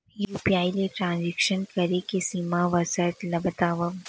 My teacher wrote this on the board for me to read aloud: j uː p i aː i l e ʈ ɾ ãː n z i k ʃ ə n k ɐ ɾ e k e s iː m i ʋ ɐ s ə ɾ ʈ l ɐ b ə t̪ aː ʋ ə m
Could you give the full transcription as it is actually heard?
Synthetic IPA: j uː p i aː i l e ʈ ɾ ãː n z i k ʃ ə n k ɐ ɾ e k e s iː m a ʋ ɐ s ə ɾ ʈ l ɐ b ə t̪ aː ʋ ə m